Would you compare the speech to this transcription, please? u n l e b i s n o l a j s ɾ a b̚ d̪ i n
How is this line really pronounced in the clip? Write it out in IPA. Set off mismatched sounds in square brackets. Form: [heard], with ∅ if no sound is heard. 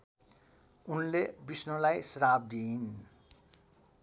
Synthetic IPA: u n l e b i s n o l a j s ɾ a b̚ d̪ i n